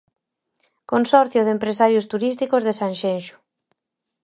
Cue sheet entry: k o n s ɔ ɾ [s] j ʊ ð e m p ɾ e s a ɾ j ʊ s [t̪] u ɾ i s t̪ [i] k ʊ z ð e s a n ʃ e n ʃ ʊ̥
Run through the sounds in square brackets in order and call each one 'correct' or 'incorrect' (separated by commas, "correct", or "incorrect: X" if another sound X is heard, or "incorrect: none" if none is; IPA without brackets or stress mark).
incorrect: θ, correct, correct